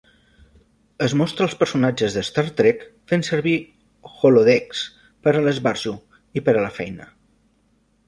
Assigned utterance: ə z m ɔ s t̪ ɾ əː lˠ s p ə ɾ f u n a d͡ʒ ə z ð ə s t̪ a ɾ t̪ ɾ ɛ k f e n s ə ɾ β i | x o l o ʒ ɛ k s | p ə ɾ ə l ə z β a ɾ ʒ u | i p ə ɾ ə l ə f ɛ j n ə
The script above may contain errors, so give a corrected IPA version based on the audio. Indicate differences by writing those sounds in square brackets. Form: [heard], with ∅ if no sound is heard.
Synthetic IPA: ə z m ɔ s t̪ ɾ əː lˠ s p ə ɾ [s] u n a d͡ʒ ə z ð ə s t̪ a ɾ t̪ ɾ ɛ k f e n s ə ɾ β i | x o l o [ð] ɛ k s | p ə ɾ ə l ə z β a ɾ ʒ u | i p ə ɾ ə l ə f ɛ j n ə